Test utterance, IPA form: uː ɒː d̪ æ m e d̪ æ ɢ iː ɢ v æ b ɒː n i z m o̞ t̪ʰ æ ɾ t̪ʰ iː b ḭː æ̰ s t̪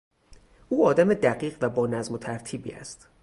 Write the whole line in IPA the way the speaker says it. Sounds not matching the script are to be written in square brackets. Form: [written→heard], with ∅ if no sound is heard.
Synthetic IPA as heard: uː ɒː d̪ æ m e d̪ æ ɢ iː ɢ v æ b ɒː n [i→æ] z m o̞ t̪ʰ æ ɾ t̪ʰ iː b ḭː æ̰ s t̪